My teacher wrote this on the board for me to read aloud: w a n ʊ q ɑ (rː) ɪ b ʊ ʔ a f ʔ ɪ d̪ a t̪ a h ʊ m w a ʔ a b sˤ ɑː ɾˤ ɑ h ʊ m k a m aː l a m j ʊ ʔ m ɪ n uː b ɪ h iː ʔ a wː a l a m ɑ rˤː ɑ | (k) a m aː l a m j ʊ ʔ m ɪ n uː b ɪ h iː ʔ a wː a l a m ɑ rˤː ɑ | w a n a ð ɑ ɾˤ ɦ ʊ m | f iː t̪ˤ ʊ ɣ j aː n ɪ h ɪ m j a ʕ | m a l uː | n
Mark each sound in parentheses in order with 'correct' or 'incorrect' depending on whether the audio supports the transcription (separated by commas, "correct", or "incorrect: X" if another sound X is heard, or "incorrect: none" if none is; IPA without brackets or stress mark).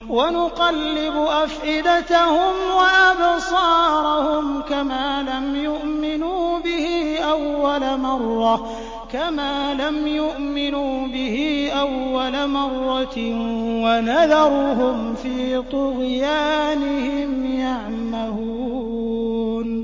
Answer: incorrect: lː, correct